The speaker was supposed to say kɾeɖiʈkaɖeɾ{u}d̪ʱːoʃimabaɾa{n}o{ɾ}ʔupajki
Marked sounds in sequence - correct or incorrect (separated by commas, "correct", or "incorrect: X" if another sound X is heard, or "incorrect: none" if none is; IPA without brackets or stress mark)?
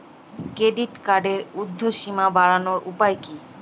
correct, correct, correct